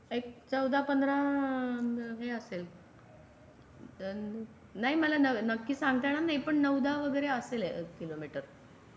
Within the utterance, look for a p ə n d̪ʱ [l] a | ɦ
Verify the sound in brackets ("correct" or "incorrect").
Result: incorrect